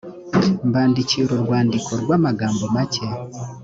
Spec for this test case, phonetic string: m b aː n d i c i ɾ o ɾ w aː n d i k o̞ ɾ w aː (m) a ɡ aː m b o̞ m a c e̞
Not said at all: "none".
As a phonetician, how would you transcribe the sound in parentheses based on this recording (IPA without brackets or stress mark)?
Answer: m